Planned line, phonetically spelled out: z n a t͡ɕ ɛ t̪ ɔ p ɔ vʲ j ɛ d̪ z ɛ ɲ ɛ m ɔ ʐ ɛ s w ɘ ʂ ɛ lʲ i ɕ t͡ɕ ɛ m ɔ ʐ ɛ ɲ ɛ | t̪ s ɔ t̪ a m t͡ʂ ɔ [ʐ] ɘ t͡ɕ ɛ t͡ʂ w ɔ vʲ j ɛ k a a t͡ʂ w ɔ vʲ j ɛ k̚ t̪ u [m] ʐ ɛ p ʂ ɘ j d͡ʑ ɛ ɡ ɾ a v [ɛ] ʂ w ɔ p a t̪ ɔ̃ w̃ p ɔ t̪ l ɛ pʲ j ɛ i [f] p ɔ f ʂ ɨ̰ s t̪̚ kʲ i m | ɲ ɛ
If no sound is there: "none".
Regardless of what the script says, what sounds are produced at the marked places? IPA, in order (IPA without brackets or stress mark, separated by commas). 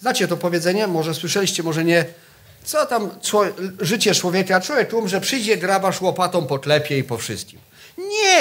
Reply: ʐ, m, a, none